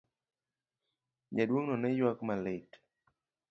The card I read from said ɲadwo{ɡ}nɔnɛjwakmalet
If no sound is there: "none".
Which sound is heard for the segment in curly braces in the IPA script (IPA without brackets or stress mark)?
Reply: ŋ